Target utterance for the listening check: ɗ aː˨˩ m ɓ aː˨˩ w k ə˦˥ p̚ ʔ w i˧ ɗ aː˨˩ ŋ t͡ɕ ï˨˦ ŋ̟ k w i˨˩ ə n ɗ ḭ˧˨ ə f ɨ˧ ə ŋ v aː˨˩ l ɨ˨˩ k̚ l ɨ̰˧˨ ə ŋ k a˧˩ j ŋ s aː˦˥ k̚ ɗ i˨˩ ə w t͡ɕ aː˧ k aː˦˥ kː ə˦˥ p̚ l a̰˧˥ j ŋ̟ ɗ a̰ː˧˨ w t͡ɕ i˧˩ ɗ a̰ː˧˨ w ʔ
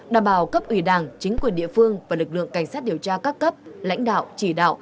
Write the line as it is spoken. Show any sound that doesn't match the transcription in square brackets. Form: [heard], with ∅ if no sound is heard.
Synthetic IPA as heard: ɗ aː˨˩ m ɓ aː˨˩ w k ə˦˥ p̚ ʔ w [i˧˩] ɗ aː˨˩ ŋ t͡ɕ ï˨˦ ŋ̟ k w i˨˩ ə n ɗ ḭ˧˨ ə f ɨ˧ ə ŋ v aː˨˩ l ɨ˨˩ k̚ l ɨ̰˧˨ ə ŋ k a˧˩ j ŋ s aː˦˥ [t̚] ɗ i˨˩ ə w t͡ɕ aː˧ k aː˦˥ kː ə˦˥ p̚ l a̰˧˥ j ŋ̟ ɗ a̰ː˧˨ w t͡ɕ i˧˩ ɗ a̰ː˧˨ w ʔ